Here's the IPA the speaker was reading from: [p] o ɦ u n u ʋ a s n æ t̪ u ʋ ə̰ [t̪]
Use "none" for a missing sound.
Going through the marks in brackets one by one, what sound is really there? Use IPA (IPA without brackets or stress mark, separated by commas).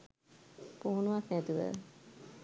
p, none